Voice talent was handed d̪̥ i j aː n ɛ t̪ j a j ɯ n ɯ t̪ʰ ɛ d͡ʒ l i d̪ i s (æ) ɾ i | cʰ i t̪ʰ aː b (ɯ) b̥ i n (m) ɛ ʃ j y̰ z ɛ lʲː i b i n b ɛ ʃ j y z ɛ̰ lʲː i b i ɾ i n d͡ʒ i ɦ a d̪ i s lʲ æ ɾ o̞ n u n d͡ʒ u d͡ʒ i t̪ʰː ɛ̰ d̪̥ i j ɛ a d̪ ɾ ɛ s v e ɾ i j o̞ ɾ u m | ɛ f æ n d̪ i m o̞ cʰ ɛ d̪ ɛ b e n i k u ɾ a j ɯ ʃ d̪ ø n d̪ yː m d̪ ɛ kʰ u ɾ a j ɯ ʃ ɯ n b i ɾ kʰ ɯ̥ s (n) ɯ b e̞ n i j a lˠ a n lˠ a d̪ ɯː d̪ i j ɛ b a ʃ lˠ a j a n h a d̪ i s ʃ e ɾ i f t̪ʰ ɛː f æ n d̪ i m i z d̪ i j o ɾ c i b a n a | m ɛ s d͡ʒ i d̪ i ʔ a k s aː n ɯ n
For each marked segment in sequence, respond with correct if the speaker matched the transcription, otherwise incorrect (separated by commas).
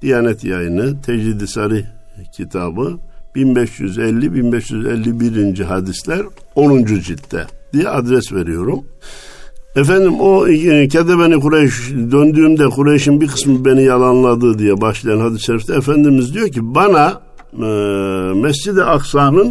incorrect, correct, incorrect, incorrect